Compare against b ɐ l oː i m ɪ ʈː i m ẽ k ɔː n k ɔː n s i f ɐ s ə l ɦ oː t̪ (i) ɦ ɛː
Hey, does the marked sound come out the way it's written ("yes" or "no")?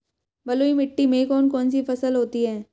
yes